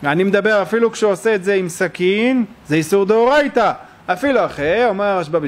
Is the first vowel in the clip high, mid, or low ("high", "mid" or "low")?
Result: low